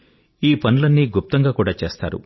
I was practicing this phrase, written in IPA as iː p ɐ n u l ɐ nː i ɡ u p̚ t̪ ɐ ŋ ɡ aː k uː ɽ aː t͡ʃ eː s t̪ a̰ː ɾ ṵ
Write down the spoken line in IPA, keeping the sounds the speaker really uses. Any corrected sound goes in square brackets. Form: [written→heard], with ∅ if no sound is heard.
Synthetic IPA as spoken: iː p ɐ n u l ɐ nː i ɡ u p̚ t̪ ɐ ŋ ɡ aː k uː ɽ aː t͡ʃ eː s t̪ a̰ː ɾ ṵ